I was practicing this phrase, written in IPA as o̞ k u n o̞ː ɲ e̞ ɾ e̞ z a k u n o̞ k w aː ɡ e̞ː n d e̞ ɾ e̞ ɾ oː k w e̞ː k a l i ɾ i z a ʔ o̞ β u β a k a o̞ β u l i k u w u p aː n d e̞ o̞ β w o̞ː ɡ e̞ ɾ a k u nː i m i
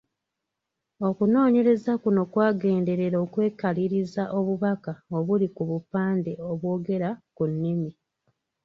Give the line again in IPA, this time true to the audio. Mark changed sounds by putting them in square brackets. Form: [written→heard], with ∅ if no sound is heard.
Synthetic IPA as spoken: o̞ k u n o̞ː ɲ e̞ ɾ e̞ z a k u n o̞ k w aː ɡ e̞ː n d e̞ ɾ e̞ ɾ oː k w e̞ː k a l i ɾ i z a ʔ o̞ β u β a k a o̞ β u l i k u [w→β] u p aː n d e̞ o̞ β w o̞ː ɡ e̞ ɾ a k u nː i m i